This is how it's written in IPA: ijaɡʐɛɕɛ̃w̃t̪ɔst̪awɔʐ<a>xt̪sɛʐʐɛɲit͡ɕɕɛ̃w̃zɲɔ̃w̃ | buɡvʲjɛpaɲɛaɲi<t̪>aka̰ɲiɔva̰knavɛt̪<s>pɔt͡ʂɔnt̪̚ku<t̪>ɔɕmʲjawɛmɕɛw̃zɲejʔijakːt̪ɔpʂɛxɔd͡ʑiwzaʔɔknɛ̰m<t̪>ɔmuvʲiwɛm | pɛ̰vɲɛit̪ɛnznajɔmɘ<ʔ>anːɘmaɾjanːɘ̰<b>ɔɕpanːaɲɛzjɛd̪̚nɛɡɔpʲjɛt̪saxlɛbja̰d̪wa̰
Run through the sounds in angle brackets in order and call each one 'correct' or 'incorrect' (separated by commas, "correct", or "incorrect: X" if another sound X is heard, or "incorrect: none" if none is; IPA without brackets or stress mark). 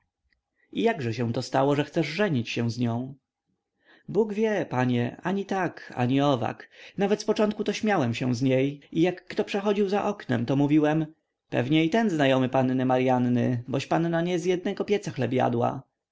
incorrect: ɛ, correct, correct, correct, correct, incorrect: p, correct